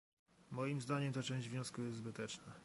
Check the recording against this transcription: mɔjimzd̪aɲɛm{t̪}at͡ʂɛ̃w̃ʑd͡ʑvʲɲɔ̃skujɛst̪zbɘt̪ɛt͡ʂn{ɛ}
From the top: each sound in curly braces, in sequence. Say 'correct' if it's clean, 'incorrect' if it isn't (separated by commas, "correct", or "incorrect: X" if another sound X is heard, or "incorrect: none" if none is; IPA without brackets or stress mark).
correct, incorrect: a